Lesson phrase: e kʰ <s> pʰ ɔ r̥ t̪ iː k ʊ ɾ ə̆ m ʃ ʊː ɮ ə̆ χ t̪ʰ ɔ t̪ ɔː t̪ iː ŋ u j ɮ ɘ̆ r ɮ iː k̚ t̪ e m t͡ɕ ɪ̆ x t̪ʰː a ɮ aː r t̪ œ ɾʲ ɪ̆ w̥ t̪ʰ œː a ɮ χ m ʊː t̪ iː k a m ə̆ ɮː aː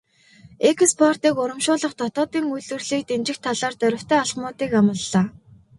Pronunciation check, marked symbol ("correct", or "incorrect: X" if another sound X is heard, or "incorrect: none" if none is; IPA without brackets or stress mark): correct